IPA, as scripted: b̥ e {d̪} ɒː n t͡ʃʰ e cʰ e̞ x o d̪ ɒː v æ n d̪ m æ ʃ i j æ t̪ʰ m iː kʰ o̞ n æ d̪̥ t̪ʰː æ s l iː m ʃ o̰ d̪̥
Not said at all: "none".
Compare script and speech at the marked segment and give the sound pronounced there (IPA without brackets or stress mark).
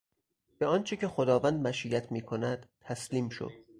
none